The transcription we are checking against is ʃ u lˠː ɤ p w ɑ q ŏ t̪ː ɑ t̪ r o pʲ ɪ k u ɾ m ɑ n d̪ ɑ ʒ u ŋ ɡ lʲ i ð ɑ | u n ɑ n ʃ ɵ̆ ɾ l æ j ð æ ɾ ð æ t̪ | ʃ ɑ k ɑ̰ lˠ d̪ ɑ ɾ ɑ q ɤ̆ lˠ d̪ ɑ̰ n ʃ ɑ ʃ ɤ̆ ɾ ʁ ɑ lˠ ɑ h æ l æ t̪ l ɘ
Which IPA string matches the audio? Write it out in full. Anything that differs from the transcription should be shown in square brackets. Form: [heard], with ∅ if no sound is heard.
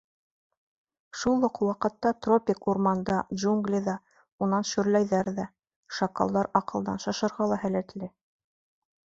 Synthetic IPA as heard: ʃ u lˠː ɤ [q] w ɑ q [ɤ̆] t̪ː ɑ t̪ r o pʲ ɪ k u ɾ m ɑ n d̪ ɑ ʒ u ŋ ɡ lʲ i ð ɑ | u n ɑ n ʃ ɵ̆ ɾ l æ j ð æ ɾ ð æ [∅] | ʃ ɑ k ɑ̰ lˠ d̪ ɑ ɾ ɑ q ɤ̆ lˠ d̪ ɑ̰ n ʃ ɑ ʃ ɤ̆ ɾ ʁ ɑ lˠ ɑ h æ l æ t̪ l ɘ